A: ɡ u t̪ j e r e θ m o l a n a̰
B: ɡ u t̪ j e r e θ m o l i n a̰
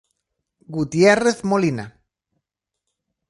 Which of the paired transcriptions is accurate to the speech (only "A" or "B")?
B